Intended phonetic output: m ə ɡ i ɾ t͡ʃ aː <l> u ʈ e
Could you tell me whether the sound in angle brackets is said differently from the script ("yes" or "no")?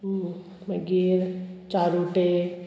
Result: yes